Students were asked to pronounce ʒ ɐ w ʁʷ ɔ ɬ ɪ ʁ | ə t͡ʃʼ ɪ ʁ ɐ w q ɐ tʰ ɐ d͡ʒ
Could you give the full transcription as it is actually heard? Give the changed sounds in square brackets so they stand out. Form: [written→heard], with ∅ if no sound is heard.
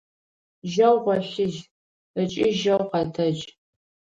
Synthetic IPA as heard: ʒ ɐ w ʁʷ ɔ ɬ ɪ [ʁ→ʒ] | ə t͡ʃʼ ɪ [ʁ→ʒ] ɐ w q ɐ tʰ ɐ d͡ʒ